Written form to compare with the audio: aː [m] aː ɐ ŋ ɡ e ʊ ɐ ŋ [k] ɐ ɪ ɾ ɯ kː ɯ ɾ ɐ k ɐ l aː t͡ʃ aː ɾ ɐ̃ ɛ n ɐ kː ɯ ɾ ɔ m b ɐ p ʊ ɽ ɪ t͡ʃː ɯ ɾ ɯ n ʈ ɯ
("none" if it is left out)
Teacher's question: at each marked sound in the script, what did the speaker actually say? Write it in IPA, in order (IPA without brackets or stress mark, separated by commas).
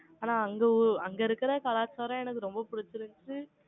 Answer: n, ɡ